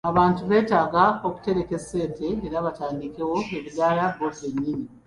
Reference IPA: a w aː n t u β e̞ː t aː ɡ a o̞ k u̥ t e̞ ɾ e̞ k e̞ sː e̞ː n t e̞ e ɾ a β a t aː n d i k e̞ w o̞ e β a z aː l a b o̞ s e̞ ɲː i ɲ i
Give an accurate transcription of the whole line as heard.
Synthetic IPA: a β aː n t u β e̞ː t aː ɡ a o̞ k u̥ t e̞ ɾ e̞ k e̞ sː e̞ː n t e̞ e ɾ a β a t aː n d i k e̞ w o̞ e β i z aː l a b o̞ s e̞ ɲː i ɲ i